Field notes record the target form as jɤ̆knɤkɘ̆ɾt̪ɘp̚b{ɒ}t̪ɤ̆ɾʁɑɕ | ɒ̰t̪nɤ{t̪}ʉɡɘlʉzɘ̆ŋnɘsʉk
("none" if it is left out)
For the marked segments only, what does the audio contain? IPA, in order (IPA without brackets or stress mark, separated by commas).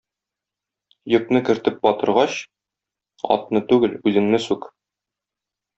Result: ɒ, t̪